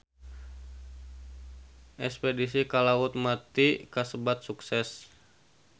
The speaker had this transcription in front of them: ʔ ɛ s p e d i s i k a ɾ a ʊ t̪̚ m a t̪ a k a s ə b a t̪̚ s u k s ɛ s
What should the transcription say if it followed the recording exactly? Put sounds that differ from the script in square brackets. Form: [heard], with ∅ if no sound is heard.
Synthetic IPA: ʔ ɛ s p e d i s i k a [l] a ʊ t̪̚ m a t̪ [i] k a s ə b a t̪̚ s u k s ɛ s